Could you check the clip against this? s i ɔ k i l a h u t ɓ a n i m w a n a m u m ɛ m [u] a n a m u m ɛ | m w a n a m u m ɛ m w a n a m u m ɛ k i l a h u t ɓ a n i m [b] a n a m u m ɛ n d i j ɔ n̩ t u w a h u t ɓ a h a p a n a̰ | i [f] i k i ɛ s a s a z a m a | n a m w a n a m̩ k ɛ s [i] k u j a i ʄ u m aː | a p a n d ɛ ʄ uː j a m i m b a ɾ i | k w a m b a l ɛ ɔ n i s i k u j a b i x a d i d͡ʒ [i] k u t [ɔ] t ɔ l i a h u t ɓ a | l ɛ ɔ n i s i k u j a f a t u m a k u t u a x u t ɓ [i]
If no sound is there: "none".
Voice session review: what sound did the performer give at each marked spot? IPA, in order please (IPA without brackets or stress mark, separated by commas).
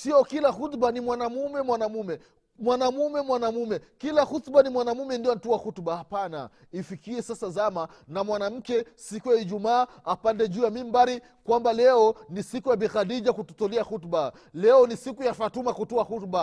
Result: w, w, f, i, a, u, a